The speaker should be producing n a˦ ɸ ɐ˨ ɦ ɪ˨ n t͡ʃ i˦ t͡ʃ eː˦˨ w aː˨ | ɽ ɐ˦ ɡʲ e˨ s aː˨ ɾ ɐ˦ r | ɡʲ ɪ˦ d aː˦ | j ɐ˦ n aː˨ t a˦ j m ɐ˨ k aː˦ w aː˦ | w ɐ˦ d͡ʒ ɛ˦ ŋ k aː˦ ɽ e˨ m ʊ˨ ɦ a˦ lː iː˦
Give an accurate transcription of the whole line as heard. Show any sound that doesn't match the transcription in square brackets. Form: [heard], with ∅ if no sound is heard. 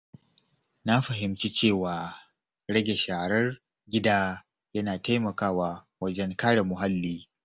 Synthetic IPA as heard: n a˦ ɸ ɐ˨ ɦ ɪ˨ [m] t͡ʃ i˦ t͡ʃ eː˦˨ w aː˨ | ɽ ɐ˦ ɡʲ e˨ [ʃ] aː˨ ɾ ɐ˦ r | ɡʲ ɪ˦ d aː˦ | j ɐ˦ n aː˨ t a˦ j m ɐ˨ k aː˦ w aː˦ | w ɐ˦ d͡ʒ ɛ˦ ŋ k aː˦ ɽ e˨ m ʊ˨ ɦ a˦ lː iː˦